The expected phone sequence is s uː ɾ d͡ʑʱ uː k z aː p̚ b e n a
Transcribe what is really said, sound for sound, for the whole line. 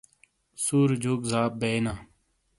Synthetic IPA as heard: s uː ɾ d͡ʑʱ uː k z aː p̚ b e n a

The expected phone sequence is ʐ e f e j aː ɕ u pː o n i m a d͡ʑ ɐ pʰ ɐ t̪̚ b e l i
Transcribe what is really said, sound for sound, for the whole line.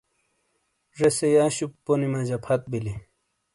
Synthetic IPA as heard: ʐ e s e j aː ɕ u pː o n i m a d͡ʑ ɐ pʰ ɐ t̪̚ b i l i

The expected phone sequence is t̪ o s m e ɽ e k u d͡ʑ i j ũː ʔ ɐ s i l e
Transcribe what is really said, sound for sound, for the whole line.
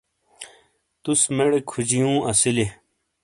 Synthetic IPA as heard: t̪ u s m e ɽ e kʰ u d͡ʑ i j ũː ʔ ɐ s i l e

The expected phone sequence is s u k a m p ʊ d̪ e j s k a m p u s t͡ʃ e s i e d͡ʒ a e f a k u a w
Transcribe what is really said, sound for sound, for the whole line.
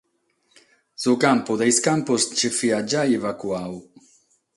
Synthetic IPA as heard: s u k a m p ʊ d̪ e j s k a m p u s t͡ʃ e f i a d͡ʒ a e v a k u a w

